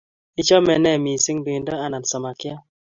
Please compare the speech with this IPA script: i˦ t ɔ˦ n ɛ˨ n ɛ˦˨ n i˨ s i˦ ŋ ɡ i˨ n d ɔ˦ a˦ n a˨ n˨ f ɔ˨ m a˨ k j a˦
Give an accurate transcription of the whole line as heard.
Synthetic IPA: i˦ t͡ʃ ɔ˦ m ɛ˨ n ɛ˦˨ m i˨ s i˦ ŋ b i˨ n d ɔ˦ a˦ n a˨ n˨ s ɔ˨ m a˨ k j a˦